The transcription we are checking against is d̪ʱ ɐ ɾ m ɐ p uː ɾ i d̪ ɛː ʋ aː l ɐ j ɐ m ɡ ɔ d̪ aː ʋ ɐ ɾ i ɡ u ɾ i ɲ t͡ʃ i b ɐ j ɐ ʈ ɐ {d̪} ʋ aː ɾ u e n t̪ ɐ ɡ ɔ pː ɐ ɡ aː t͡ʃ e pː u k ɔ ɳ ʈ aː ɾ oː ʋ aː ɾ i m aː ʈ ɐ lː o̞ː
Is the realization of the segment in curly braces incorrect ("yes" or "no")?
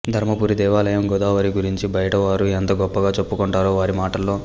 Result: yes